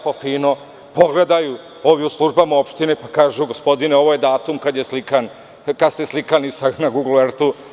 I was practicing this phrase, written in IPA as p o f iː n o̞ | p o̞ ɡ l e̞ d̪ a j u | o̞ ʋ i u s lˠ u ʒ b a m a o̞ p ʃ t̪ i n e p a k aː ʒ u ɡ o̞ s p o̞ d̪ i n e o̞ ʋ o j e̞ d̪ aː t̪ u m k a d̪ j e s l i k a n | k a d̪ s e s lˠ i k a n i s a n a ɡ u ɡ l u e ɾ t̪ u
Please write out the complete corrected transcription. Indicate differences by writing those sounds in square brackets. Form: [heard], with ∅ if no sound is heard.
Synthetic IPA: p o f iː n o̞ | p o̞ ɡ l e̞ d̪ a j u | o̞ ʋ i u s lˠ u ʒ b a m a o̞ p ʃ t̪ i n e p a k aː ʒ u ɡ o̞ s p o̞ d̪ i n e o̞ ʋ o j e̞ d̪ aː t̪ u m k a d̪ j e s l i k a n | k a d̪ s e s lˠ i k a n i s a n a ɡ u ɡ l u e ɾ t̪ u

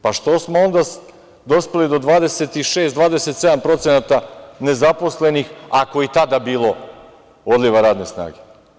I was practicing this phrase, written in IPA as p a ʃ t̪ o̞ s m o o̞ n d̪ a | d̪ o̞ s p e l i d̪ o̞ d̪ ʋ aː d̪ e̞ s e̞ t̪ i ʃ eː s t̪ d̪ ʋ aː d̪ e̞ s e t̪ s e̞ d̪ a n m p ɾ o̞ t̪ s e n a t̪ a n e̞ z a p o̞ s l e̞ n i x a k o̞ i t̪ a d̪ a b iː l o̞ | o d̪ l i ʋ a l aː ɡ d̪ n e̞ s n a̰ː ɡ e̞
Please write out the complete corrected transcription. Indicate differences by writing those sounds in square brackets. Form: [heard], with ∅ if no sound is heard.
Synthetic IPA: p a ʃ t̪ o̞ s m o o̞ n d̪ a | d̪ o̞ s p e l i d̪ o̞ d̪ ʋ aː d̪ e̞ s e̞ t̪ i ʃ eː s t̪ d̪ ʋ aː d̪ e̞ s e t̪ s e̞ d̪ a [∅] m p ɾ o̞ t̪ s e n a t̪ a n e̞ z a p o̞ s l e̞ n i x a k o̞ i t̪ a d̪ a b iː l o̞ | o d̪ l i ʋ a [ɾ] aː [∅] d̪ n e̞ s n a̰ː ɡ e̞

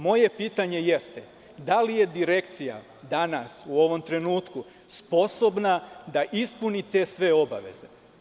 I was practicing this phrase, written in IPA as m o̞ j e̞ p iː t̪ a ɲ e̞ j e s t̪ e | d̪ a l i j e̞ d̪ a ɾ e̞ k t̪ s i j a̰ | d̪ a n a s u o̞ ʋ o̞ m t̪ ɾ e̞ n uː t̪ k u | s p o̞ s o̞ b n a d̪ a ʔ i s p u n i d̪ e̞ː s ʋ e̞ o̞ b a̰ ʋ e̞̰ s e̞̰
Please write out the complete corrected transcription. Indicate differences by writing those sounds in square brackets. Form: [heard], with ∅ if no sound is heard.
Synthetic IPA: m o̞ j e̞ p iː t̪ a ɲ e̞ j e s t̪ e | d̪ a l i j e̞ d̪ [i] ɾ e̞ k t̪ s i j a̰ | d̪ a n a s u o̞ ʋ o̞ m t̪ ɾ e̞ n uː t̪ k u | s p o̞ s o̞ b n a d̪ a ʔ i s p u n i [t̪] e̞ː s ʋ e̞ o̞ b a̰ ʋ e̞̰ [z] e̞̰

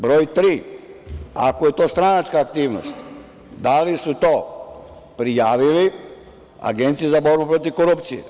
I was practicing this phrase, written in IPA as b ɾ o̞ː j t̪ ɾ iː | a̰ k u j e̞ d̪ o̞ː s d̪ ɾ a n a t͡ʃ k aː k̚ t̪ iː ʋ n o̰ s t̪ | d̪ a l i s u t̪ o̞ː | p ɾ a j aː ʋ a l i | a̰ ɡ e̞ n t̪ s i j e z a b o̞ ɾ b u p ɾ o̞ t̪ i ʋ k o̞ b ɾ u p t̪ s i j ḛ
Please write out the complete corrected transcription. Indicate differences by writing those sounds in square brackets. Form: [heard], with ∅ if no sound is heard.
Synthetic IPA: b ɾ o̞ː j t̪ ɾ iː | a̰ k [o] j e̞ [t̪] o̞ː s [t̪] ɾ a n a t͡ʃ k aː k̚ t̪ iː ʋ n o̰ s t̪ | d̪ a l i s u t̪ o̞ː | p ɾ [i] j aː ʋ [i] l i | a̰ ɡ e̞ n t̪ s i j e z a b o̞ ɾ b u p ɾ o̞ t̪ i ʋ k o̞ [∅] ɾ u p t̪ s i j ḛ

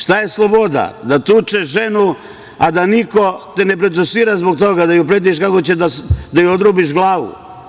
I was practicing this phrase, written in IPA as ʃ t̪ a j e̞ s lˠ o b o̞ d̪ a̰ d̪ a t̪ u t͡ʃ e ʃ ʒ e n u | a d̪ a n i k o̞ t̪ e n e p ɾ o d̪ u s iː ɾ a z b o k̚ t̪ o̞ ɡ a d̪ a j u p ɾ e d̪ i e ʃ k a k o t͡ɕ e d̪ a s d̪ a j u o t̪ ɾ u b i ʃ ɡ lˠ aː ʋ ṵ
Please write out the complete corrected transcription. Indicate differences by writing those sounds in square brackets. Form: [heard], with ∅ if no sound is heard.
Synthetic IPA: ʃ t̪ a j e̞ s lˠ o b o̞ d̪ a̰ d̪ a t̪ u t͡ʃ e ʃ ʒ e n u | a d̪ a n i k o̞ t̪ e n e p ɾ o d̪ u s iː ɾ a z b o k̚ t̪ o̞ ɡ a d̪ a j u p ɾ e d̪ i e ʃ k a k o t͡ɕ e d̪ a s d̪ a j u o [d̪] ɾ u b i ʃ ɡ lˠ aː ʋ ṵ

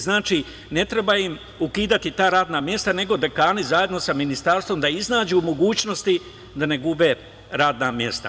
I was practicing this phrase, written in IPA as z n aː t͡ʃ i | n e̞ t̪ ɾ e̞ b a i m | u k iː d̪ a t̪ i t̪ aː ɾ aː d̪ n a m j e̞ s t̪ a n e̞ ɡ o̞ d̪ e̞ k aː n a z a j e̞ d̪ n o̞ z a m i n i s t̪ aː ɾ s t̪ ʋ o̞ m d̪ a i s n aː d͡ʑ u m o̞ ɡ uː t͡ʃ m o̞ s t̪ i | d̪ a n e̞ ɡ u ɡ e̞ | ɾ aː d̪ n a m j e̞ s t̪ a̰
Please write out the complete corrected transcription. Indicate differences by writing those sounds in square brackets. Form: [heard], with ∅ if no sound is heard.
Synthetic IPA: z n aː t͡ʃ i | n e̞ t̪ ɾ e̞ b a i m | u k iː d̪ a t̪ i t̪ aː ɾ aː d̪ n a m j e̞ s t̪ a n e̞ ɡ o̞ d̪ e̞ k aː n [i] z a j e̞ d̪ n o̞ [s] a m i n i s t̪ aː ɾ s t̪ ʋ o̞ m d̪ a i [z] n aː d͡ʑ u m o̞ ɡ uː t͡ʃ [n] o̞ s t̪ i | d̪ a n e̞ ɡ u [b] e̞ | ɾ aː d̪ n a m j e̞ s t̪ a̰

